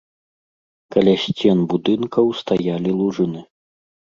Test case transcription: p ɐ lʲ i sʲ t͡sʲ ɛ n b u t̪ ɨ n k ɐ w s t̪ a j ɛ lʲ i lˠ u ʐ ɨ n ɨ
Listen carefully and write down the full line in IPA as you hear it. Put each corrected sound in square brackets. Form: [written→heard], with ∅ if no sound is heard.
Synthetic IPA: [p→k] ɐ lʲ [i→a] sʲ t͡sʲ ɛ n b u [t̪→d̪] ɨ n k ɐ w s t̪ a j [ɛ→a] lʲ i lˠ u ʐ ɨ n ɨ